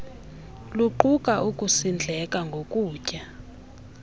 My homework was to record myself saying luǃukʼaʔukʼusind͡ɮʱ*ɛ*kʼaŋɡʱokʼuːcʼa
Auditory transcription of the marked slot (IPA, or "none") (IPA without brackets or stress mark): ɛ